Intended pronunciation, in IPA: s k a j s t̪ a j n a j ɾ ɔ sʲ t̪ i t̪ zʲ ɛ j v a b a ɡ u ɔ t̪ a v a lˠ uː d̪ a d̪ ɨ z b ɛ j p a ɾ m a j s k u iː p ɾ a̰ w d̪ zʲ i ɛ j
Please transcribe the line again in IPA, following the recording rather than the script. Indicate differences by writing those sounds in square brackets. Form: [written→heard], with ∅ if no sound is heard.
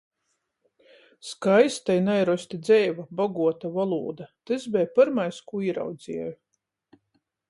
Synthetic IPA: s k a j s t̪ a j n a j ɾ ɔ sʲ t̪ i [t̪→d̪] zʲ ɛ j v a b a ɡ u ɔ t̪ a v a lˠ uː d̪ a [d̪→t̪] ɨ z b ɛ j p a ɾ m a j s k u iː [p→∅] ɾ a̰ w d̪ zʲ i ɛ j